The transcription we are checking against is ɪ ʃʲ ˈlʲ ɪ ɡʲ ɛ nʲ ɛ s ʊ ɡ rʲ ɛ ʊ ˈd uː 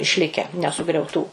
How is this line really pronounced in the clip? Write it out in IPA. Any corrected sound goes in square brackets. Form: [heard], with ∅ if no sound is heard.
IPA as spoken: ɪ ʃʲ ˈlʲ ɪ [kʲ] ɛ nʲ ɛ s ʊ ɡ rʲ ɛ ʊ [ˈt] uː